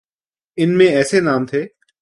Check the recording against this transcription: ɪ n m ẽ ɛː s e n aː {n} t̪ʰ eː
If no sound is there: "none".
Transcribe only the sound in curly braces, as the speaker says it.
m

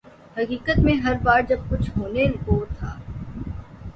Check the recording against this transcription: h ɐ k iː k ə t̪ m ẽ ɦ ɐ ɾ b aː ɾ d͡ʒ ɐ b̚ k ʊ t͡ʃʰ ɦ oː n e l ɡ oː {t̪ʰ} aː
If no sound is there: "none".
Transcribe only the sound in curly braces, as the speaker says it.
t̪ʰ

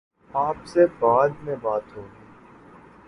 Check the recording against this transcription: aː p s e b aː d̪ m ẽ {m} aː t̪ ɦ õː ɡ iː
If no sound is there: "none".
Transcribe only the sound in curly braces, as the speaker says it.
b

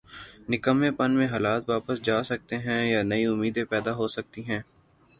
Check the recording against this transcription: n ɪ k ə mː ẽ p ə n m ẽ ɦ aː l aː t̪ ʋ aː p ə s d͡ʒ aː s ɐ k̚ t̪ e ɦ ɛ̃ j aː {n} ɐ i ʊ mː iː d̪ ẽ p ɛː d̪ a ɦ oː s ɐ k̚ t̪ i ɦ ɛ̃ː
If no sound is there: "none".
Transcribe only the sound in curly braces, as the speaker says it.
n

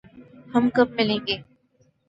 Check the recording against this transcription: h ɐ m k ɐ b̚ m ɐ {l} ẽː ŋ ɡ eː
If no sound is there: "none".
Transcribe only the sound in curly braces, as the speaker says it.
l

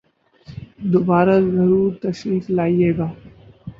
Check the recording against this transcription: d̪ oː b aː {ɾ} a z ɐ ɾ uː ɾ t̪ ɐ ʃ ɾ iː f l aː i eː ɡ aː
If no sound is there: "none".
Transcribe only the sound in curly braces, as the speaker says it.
ɾ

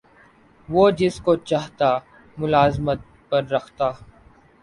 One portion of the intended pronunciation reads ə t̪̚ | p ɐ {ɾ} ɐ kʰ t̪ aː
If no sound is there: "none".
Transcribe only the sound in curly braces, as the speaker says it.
ɾː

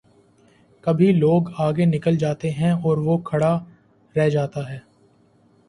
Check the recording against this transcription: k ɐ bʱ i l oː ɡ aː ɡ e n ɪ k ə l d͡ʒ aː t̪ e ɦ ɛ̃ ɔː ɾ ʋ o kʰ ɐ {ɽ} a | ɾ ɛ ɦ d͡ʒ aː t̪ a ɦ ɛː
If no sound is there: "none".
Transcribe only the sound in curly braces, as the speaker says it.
ɽ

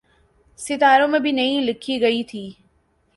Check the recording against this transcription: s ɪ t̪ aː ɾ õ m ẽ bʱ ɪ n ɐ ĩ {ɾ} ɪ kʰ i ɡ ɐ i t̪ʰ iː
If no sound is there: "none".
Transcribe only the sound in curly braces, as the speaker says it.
l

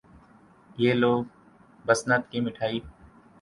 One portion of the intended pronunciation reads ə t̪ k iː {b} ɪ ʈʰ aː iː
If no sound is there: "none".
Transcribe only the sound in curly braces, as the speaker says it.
m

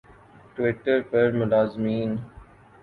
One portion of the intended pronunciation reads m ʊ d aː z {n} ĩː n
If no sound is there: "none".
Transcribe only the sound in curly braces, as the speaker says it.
m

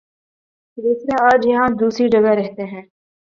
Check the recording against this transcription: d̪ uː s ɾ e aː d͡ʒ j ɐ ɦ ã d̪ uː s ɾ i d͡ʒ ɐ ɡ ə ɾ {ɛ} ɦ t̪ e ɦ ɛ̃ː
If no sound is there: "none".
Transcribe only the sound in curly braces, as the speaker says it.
ɛ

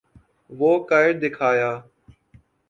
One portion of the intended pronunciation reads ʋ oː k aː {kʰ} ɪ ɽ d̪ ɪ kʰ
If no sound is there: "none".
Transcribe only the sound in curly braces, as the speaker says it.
none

